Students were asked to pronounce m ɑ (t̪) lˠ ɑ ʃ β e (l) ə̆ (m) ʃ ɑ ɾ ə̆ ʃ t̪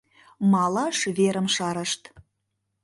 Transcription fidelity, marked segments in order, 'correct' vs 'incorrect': incorrect: none, incorrect: ɾ, correct

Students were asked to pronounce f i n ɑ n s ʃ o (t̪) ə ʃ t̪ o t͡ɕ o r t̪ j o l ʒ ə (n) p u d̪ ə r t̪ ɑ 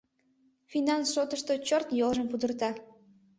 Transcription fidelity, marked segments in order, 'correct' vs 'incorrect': correct, incorrect: m

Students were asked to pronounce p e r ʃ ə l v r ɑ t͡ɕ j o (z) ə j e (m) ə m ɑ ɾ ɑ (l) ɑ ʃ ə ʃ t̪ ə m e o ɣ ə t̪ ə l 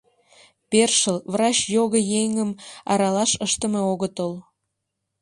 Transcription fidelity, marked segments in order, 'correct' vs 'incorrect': incorrect: ɣ, incorrect: ŋ, correct

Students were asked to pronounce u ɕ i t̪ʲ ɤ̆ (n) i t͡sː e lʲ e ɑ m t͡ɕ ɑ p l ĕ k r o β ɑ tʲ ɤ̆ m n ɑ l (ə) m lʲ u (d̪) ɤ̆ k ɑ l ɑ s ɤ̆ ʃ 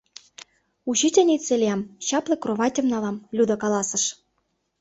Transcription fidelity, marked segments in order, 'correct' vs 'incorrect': correct, incorrect: ɑ, correct

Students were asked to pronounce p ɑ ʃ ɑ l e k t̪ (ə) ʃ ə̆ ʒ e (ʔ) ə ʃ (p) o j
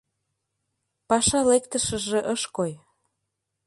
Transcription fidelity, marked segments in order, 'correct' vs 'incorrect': correct, correct, incorrect: k

